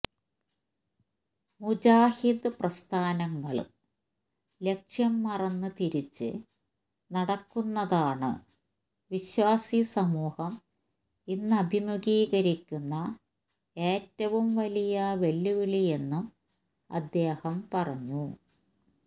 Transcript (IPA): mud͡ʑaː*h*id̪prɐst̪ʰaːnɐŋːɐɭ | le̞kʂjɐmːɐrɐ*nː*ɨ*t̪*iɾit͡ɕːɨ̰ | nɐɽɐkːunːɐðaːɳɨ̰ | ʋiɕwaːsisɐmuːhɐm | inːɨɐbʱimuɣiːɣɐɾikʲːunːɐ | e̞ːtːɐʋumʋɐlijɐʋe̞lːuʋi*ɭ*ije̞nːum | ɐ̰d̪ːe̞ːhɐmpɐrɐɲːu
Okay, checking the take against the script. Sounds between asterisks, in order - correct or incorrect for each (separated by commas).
correct, correct, correct, correct